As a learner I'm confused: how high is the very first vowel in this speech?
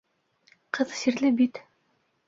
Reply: mid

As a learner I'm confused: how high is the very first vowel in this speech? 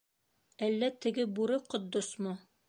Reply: low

